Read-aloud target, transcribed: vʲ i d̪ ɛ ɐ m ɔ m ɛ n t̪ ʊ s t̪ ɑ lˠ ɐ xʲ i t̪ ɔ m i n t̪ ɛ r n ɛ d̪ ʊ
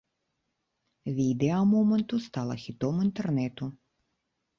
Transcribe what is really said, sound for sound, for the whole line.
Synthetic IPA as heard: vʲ i d̪ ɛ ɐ m ɔ m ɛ n t̪ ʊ s t̪ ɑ lˠ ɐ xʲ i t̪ ɔ m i n t̪ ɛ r n ɛ t̪ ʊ